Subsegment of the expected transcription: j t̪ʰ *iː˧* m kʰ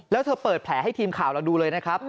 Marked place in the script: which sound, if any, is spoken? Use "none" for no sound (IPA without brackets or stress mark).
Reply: iː˧